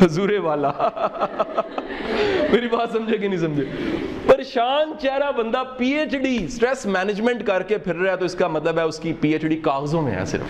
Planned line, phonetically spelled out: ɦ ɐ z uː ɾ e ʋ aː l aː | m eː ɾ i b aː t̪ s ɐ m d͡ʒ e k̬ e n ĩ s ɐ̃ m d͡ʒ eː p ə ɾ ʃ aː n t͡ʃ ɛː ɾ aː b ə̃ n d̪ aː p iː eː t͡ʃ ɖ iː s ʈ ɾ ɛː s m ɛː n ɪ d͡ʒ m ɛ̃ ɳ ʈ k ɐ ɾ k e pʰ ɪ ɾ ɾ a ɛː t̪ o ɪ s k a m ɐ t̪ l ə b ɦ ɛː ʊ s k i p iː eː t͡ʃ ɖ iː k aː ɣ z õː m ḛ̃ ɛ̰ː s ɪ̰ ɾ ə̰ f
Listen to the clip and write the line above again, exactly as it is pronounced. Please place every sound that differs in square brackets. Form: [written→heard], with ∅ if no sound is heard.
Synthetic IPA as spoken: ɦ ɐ z uː ɾ e ʋ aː l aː | m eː ɾ i b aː t̪ s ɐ m d͡ʒ e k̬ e n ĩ s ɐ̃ m d͡ʒ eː p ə ɾ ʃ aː n t͡ʃ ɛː ɾ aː b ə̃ n d̪ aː p iː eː t͡ʃ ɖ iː s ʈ ɾ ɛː s m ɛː n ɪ d͡ʒ m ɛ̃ ɳ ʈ k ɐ ɾ k e pʰ ɪ ɾ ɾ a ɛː t̪ o ɪ s k a m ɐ t̪ l ə b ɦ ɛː ʊ s k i p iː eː t͡ʃ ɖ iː k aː ɣ z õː m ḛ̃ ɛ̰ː s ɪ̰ ɾ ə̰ f